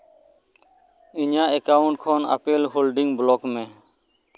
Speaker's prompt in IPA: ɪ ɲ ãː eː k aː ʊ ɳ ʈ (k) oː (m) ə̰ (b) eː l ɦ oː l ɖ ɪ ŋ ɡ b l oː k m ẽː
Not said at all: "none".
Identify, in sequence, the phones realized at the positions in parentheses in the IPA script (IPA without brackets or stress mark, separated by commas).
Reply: kʰ, n, p